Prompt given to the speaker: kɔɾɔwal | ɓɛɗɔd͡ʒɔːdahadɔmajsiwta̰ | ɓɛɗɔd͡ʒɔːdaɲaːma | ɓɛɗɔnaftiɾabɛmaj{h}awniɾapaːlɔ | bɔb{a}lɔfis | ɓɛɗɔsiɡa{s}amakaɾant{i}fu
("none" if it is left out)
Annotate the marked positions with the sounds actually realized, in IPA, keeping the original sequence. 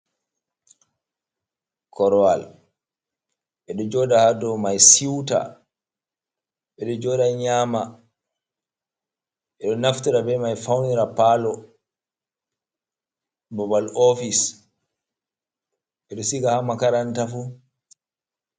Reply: f, a, h, a

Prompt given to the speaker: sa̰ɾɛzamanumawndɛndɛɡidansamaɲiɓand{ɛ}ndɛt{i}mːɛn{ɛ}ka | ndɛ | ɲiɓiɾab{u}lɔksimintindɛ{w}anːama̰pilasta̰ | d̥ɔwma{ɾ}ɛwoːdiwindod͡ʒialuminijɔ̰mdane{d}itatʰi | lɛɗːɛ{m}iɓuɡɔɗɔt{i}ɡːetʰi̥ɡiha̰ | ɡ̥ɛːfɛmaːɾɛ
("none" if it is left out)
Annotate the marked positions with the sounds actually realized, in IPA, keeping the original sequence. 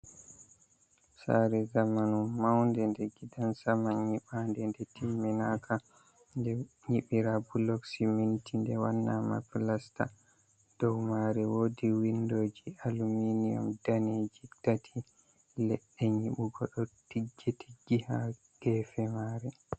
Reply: ɛ, i, a, u, w, ɾ, d͡ʒ, ɲ, i

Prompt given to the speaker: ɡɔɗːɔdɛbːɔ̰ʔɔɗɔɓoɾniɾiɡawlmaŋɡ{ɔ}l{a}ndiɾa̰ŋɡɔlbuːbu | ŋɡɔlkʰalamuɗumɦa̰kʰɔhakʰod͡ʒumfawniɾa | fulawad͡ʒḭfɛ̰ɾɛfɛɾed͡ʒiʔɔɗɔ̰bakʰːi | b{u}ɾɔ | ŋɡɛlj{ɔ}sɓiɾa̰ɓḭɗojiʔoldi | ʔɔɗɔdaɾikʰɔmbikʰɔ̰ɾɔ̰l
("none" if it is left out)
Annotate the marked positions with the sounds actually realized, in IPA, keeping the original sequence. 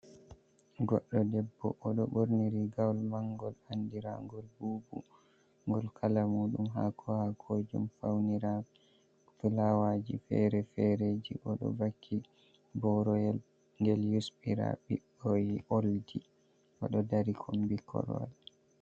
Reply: ɔ, a, ɔ, u

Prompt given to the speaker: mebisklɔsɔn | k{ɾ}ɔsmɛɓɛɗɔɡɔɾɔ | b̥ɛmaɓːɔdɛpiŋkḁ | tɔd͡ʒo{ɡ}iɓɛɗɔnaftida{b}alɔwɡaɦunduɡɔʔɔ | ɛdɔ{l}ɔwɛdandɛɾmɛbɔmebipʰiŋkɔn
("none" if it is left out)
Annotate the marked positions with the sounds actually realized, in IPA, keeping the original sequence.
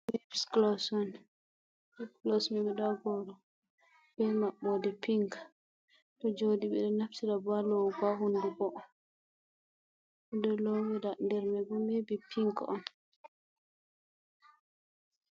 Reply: l, d, b, l

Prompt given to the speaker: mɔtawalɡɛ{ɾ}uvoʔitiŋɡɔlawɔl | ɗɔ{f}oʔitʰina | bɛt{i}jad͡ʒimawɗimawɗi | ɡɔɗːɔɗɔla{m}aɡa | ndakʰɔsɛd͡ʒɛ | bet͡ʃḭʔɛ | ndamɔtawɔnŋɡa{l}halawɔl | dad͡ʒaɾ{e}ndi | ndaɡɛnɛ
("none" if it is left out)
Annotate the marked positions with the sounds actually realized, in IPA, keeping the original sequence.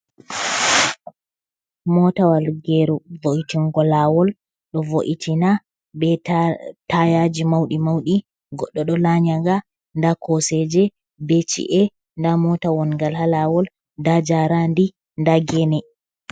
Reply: ɾ, v, a, ɲ, l, a

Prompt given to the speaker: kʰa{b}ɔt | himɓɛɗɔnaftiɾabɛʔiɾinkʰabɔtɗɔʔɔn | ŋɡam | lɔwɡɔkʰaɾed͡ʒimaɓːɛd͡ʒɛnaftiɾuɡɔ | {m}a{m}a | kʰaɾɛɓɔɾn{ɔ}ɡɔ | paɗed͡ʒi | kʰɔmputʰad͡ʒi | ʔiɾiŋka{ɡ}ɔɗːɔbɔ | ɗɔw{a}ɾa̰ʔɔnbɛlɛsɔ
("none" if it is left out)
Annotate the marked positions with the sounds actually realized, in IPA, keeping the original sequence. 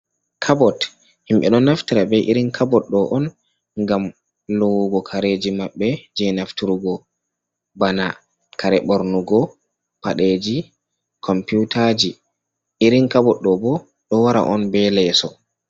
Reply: b, b, n, u, b, a

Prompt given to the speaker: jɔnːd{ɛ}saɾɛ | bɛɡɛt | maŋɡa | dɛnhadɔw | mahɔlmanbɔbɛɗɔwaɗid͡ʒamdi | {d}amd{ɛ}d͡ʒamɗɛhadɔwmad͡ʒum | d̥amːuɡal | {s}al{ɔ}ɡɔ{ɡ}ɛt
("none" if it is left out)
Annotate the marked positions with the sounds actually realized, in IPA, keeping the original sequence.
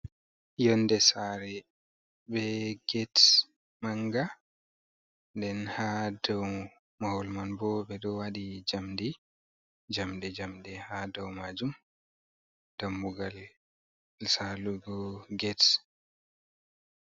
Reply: ɛ, d͡ʒ, ɛ, s, u, ɡ

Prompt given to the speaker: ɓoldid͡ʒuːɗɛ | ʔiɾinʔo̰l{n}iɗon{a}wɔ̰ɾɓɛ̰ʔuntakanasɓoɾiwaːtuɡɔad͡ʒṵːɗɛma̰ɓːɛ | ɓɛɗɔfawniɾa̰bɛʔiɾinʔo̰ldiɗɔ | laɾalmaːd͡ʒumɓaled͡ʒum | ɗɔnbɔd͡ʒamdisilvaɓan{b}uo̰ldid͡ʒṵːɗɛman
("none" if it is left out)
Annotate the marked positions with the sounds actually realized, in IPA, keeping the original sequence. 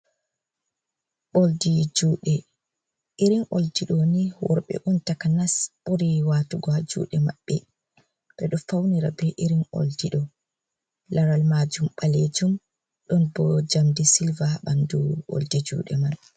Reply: d, i, d

